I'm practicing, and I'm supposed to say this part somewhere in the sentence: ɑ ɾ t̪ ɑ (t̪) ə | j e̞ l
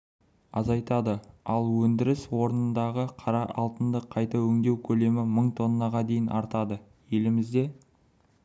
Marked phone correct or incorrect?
incorrect